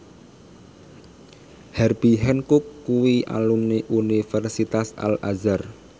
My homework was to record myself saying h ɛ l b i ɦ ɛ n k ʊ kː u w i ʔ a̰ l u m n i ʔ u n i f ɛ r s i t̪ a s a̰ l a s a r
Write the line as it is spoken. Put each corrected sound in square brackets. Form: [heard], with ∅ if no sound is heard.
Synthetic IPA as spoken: h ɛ [r] b i ɦ ɛ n k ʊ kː u w i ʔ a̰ l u m n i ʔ u n i f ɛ r s i t̪ a s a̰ l a [z] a r